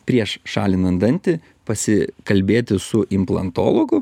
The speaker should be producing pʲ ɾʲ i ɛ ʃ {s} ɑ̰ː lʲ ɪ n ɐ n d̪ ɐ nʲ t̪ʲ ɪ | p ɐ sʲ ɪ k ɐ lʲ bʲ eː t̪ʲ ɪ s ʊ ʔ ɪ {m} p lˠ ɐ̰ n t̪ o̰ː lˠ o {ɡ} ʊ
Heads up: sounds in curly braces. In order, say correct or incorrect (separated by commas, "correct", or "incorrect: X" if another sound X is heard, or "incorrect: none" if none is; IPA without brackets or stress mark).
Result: incorrect: ʃ, correct, correct